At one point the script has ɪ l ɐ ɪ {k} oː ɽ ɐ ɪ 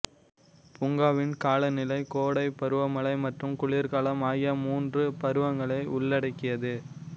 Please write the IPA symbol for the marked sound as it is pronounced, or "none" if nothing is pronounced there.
k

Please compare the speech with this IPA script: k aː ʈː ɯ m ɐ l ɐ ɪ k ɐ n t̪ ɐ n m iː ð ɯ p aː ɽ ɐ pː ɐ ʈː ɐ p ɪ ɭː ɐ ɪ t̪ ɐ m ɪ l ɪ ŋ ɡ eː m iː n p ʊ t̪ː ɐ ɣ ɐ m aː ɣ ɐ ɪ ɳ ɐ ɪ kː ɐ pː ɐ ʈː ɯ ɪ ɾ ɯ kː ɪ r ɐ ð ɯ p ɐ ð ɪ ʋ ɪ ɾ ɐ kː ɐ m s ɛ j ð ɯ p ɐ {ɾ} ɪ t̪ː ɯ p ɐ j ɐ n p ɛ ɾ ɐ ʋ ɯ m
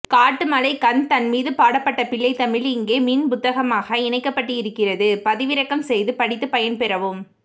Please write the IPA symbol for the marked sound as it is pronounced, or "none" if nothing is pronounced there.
ɽ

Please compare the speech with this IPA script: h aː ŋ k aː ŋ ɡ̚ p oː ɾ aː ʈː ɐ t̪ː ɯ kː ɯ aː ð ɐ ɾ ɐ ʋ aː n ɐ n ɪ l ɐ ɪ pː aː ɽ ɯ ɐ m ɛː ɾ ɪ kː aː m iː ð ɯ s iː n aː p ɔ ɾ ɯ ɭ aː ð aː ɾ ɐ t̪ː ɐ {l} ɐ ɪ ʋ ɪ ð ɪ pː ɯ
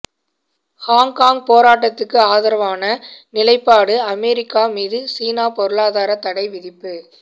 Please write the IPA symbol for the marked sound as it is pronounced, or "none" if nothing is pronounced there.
ɽ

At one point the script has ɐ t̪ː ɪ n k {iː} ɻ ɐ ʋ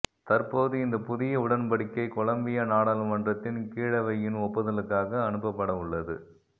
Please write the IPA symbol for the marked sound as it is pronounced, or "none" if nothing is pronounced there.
iː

